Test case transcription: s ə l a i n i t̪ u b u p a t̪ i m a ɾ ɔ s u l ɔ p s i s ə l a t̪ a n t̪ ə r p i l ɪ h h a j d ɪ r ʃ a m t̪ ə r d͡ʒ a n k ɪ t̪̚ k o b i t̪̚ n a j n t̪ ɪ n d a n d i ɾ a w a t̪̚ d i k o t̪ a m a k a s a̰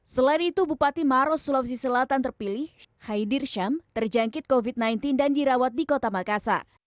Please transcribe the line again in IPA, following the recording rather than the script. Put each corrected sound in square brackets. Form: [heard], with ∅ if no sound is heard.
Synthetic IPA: s ə l a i n i t̪ u b u p a t̪ i m a ɾ ɔ s u l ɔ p s i s ə l a t̪ a n t̪ ə r p i l ɪ h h a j d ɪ r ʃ a m t̪ ə r d͡ʒ a [ŋ] k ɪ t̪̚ k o [v] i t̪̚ n a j n t̪ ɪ n d a n d i ɾ a w a t̪̚ d i k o t̪ a m a k a s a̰